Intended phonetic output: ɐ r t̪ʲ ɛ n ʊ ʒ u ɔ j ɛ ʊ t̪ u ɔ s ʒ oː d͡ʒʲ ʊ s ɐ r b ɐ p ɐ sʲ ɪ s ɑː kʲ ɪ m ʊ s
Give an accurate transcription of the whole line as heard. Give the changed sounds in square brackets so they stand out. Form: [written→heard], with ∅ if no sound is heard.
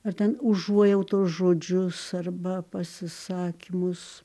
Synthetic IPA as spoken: ɐ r t̪ʲ ɛ n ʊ ʒ u ɔ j ɛ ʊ t̪ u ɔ s ʒ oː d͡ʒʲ ʊ s ɐ r b ɐ p ɐ sʲ ɪ s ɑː kʲ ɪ m ʊ s